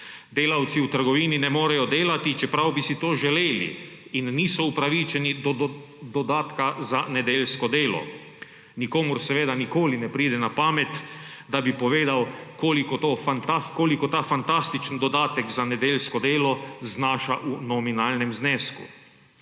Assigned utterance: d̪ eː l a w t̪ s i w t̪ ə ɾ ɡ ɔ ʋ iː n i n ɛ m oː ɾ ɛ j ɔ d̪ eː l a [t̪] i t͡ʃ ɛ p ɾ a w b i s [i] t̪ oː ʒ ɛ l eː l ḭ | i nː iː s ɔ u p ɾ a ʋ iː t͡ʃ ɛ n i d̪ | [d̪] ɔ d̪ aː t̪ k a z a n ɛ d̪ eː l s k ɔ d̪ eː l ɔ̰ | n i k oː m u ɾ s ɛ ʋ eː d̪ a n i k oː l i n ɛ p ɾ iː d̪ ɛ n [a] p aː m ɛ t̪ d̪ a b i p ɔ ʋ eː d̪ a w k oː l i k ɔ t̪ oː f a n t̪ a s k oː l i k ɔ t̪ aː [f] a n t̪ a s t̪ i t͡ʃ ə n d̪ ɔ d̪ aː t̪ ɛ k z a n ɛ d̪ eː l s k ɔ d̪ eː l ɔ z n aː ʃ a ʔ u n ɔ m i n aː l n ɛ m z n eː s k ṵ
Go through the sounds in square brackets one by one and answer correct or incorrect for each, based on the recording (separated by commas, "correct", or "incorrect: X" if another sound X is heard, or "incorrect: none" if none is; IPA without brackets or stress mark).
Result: correct, correct, correct, correct, correct